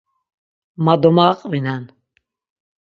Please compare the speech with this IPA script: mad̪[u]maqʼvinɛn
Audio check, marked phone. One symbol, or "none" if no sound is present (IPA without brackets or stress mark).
ɔ